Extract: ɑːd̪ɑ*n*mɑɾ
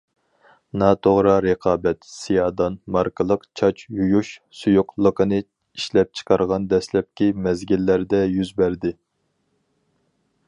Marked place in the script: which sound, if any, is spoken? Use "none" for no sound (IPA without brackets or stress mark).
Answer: n